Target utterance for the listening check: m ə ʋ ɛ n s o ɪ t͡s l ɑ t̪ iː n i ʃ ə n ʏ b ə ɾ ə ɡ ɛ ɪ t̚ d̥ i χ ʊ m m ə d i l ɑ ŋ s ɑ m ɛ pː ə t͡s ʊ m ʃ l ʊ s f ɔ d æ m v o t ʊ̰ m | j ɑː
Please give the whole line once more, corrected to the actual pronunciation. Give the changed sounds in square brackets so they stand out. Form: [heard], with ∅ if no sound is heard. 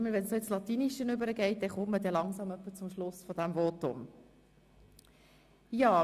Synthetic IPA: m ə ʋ ɛ n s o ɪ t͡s l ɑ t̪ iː n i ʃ ə n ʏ b ə ɾ ə ɡ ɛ ɪ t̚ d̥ [ɛ] χ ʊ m m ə d [ɛ] l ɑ ŋ s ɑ m [œ] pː ə t͡s ʊ m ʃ l ʊ s f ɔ d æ m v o t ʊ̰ m | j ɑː